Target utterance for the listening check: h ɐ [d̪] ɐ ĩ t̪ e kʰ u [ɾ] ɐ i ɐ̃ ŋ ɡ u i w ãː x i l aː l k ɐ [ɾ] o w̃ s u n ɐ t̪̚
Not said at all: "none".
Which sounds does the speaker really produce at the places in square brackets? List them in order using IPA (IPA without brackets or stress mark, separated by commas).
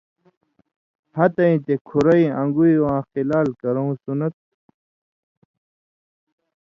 t̪, ɾ, ɾ